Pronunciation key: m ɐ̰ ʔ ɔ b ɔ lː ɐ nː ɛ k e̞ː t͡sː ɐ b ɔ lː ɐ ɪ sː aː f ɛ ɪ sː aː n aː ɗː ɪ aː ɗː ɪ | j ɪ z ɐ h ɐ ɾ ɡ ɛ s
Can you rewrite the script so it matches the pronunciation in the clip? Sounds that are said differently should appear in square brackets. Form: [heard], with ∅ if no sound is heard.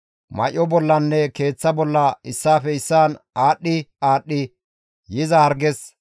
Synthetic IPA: m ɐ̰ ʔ ɔ b ɔ lː ɐ nː ɛ k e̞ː t͡sː ɐ b ɔ lː ɐ ɪ sː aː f ɛ ɪ sː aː n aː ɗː ɪ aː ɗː ɪ | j ɪ z ɐ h ɐ ɾ ɡ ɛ s